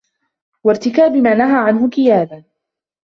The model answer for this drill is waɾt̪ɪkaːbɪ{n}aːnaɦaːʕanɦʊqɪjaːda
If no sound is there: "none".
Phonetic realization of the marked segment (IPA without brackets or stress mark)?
m